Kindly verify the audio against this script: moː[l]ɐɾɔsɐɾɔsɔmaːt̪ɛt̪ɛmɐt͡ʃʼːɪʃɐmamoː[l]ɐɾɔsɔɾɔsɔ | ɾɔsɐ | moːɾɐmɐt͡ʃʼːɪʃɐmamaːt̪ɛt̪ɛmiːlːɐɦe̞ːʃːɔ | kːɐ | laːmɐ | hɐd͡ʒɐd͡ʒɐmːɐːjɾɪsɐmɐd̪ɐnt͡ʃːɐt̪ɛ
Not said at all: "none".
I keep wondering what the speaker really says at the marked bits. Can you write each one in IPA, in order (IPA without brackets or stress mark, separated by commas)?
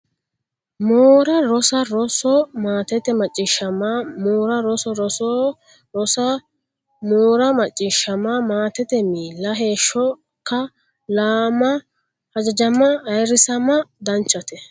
ɾ, ɾ